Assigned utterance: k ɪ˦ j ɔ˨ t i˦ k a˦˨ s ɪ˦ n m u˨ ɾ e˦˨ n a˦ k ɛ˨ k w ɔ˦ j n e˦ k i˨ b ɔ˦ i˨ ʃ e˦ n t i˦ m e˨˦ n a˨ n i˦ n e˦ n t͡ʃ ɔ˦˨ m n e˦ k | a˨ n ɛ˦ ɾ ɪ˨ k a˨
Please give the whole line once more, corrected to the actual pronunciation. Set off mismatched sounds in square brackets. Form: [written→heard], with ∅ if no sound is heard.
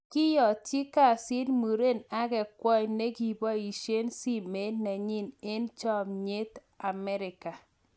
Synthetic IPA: k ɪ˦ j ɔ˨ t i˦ k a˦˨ s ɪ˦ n m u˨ ɾ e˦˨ n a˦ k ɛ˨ k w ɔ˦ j n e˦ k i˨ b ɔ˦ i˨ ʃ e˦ n [t→s] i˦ m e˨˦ n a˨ [n→ɲ] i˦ n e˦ n t͡ʃ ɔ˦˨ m [n→ɲ] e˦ [k→t] | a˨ [n→m] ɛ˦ ɾ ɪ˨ k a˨